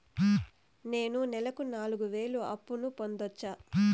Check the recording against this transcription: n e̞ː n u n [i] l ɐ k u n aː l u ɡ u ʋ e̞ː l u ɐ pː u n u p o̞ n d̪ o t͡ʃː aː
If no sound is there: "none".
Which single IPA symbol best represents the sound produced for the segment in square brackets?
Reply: ɛ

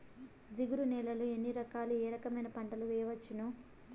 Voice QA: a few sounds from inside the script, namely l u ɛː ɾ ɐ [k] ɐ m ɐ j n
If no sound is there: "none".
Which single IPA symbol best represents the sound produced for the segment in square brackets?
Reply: k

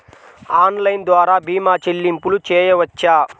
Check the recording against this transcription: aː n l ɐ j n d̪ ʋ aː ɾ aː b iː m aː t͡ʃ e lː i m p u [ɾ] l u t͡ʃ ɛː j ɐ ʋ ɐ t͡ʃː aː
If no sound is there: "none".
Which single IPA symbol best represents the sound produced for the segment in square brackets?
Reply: none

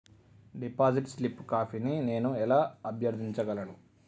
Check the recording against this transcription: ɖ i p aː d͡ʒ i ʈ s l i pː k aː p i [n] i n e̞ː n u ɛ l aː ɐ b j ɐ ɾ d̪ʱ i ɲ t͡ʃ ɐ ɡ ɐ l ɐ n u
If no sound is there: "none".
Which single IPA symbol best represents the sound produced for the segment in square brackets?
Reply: n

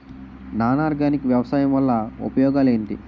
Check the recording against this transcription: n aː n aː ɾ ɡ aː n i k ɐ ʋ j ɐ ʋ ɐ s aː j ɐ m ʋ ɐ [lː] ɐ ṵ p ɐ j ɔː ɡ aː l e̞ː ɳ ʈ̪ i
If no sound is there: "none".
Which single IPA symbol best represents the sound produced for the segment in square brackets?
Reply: lː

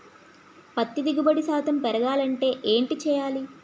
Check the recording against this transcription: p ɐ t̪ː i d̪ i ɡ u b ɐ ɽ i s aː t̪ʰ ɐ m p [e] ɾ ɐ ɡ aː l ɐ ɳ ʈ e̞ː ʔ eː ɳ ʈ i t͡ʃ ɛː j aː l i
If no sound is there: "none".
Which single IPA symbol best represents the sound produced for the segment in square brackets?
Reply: ɛ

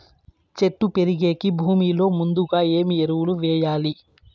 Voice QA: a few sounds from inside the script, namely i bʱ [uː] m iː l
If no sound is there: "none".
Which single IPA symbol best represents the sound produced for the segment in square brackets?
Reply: uː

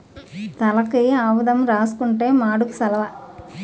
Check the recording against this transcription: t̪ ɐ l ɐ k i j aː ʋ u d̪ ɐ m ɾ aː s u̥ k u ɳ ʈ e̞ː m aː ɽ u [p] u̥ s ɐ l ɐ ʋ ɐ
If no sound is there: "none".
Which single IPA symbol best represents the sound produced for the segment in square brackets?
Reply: k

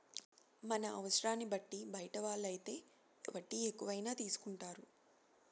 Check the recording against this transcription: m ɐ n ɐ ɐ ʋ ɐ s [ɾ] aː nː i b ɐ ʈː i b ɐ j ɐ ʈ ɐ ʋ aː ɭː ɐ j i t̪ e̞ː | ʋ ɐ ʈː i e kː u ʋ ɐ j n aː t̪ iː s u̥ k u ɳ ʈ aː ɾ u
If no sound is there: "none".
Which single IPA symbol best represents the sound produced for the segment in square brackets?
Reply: ɾ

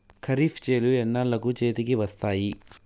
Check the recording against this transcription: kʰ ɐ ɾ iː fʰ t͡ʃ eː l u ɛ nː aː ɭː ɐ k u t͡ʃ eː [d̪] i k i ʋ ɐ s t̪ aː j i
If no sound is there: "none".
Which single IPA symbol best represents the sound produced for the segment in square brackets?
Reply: t̪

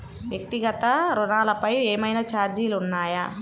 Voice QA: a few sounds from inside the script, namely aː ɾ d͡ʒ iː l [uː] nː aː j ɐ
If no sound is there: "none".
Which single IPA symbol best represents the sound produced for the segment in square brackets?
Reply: u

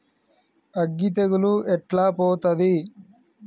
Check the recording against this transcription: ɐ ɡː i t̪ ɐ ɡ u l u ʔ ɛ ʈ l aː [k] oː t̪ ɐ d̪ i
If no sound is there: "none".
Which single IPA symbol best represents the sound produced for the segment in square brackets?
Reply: p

